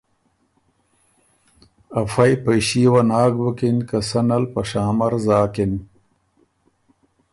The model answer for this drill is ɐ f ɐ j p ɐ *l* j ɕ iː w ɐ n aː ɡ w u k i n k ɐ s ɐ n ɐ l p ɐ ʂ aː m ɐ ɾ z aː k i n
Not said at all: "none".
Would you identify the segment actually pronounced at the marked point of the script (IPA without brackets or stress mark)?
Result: none